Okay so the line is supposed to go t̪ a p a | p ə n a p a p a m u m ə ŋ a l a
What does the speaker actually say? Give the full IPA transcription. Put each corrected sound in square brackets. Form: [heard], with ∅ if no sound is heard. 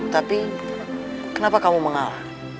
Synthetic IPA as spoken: t̪ a p [i] | [k] ə n a p a [k] a m u m ə ŋ a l a

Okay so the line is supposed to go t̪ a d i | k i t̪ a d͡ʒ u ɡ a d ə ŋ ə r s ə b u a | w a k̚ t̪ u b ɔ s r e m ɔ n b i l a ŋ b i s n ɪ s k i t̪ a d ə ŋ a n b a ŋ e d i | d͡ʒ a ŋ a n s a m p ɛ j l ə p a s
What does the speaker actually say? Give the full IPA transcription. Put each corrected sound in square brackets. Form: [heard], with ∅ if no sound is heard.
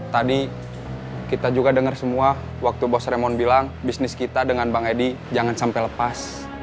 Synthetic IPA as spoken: t̪ a d i | k i t̪ a d͡ʒ u ɡ a d ə ŋ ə r s ə [m] u a | w a k̚ t̪ u b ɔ s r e m ɔ n b i l a ŋ b i s n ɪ s k i t̪ a d ə ŋ a n b a ŋ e d i | d͡ʒ a ŋ a n s a m p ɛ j l ə p a s

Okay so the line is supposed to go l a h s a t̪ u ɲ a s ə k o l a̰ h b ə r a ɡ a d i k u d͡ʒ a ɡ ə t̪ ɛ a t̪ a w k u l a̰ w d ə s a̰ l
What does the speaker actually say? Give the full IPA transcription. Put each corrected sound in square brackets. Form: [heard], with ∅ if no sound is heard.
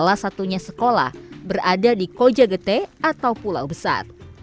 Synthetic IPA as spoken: l a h s a t̪ u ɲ a s ə k o l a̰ h b ə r a [d] a d i k [o] d͡ʒ a ɡ ə t̪ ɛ a t̪ a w [p] u l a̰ w [b] ə s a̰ [r]

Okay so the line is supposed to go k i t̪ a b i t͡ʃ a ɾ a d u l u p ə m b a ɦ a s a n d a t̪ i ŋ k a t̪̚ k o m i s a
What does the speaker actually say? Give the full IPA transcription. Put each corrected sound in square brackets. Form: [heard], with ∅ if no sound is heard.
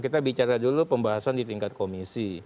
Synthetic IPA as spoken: k i t̪ a b i t͡ʃ a ɾ a d u l u p ə m b a ɦ a s a n d [i] t̪ i ŋ k a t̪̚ k o m i s [i]

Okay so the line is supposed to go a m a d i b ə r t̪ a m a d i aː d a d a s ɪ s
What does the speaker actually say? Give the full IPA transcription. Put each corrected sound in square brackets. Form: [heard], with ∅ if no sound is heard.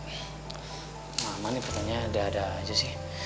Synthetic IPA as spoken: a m a [n] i [p] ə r t̪ a [ɲ] a d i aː d a [d͡ʒ] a s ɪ [h]

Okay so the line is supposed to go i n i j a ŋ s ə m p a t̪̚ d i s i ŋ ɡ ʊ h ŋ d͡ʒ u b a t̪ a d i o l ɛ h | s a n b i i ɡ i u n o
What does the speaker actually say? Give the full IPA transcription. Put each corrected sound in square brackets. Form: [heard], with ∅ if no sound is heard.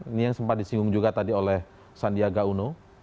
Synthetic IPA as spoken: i n i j a ŋ s ə m p a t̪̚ d i s i ŋ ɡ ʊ [∅] ŋ d͡ʒ u [ɡ] a t̪ a d i o l ɛ h | s a n [d] i [a] ɡ [a] u n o

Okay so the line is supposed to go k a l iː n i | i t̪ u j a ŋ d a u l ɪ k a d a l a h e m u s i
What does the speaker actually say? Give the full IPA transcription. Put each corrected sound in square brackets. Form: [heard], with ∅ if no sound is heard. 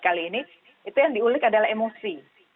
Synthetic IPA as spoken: k a l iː n i | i t̪ u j a ŋ d [i] u l ɪ k a d a l a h e m [o] s i

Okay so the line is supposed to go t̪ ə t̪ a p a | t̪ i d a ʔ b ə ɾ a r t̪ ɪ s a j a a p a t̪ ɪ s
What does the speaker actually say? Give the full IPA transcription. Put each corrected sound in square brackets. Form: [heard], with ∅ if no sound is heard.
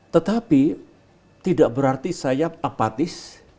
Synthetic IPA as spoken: t̪ ə t̪ a p [i] | t̪ i d a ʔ b ə ɾ a r t̪ [i] s a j a a p a t̪ ɪ s

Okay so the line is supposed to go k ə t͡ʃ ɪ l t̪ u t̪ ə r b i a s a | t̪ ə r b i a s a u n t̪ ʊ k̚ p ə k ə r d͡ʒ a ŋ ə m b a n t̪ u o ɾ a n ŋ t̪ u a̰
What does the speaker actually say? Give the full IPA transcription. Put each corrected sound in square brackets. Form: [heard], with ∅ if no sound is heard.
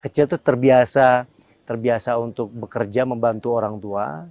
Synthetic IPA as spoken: k ə t͡ʃ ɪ l t̪ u t̪ ə r b i a s a | t̪ ə r b i a s a u n t̪ ʊ k̚ [b] ə k ə r d͡ʒ a [m] ə m b a n t̪ u o ɾ a [∅] ŋ t̪ u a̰

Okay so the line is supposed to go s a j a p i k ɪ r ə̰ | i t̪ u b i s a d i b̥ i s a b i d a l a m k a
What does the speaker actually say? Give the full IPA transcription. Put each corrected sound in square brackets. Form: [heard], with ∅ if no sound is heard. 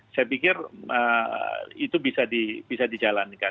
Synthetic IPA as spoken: s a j a p i k ɪ r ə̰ | i t̪ u b i s a d i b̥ i s a [d] i [d͡ʒ] a l a [n] k a

